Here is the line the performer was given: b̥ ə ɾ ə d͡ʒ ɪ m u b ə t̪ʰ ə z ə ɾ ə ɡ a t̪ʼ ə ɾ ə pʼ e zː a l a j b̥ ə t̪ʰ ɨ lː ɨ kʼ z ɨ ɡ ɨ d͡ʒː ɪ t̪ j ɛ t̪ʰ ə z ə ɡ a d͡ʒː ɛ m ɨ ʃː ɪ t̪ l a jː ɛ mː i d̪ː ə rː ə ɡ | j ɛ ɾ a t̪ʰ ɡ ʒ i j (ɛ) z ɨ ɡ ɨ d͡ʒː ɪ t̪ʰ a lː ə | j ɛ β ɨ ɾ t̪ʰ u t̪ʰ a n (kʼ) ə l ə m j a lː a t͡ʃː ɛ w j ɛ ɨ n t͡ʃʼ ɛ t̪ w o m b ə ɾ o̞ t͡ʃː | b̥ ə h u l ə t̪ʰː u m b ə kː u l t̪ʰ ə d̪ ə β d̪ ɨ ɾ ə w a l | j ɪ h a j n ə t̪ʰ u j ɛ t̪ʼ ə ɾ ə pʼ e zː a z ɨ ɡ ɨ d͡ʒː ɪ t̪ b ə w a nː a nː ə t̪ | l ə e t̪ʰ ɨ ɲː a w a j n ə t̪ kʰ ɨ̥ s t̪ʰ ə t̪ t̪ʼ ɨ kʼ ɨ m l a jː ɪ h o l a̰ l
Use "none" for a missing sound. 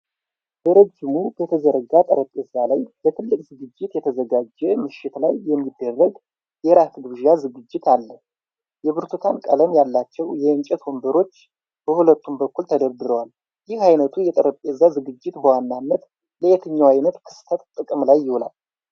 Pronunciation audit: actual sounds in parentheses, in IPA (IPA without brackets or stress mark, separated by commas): a, kʼ